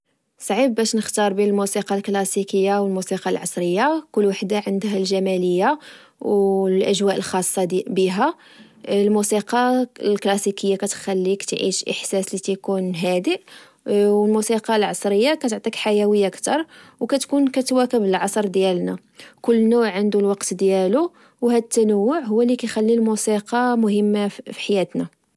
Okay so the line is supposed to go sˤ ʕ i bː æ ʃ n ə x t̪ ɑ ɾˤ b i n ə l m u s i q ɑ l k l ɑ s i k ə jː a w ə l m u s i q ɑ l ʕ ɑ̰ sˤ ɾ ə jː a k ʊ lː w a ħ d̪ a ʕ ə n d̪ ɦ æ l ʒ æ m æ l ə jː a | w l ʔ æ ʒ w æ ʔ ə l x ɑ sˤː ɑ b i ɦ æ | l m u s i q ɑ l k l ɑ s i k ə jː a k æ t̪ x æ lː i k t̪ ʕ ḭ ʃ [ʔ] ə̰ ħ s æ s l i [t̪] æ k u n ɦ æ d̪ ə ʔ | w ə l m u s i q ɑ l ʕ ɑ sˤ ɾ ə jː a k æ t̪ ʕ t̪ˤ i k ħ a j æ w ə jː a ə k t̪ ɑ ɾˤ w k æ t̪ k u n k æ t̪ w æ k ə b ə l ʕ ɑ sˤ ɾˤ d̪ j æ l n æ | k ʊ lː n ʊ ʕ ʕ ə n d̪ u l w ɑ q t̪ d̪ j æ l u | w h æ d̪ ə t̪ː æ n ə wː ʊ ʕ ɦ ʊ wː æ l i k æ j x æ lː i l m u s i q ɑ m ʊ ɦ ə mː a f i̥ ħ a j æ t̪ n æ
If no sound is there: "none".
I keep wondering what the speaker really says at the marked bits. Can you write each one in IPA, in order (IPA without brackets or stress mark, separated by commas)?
ʔ, t̪